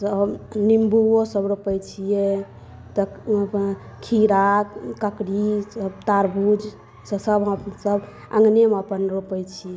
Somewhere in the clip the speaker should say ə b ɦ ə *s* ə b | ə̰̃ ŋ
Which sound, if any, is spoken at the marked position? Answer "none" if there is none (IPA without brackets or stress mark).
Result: s